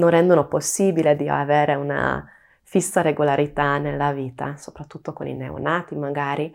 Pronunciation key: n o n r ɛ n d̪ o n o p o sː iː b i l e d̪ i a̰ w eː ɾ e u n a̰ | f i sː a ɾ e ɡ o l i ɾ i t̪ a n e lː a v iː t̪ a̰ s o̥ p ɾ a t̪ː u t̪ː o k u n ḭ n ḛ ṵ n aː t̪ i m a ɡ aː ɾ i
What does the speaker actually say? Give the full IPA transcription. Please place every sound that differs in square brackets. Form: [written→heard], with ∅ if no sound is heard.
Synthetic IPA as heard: n o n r ɛ n d̪ o n o p o sː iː b i l e d̪ i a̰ [w→v] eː ɾ e u n a̰ | f i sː a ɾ e ɡ o l [i→a] ɾ i t̪ a n e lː a v iː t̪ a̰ s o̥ p ɾ a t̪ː u t̪ː o k [u→o] n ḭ n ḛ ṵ n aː t̪ i m a ɡ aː ɾ i